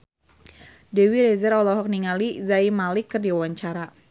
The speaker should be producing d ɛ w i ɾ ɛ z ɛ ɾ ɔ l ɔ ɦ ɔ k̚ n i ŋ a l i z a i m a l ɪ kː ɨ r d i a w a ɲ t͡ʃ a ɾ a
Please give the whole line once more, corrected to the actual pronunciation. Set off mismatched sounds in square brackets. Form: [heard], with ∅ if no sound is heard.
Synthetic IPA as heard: d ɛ w i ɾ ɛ z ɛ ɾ ɔ l ɔ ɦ ɔ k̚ n i ŋ a l i z a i m a l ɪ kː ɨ r d i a w a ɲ t͡ʃ a ɾ a